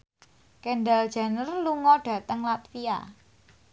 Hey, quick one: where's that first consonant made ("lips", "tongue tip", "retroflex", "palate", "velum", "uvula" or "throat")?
velum